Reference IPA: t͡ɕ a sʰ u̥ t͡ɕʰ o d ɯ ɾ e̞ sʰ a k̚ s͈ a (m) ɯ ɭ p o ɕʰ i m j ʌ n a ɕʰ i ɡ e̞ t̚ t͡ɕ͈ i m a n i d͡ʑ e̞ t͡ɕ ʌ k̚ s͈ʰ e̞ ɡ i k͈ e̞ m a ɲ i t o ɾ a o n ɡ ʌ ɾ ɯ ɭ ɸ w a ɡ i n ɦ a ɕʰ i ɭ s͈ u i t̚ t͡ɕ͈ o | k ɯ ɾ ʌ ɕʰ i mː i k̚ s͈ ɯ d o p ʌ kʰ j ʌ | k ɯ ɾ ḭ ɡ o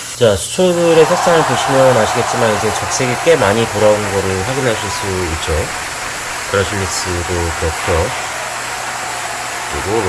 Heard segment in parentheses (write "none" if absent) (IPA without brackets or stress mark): ŋ